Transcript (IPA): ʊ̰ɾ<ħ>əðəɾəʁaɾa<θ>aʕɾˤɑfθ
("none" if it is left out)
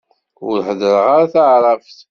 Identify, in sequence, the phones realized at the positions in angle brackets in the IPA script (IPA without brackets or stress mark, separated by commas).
ħ, θ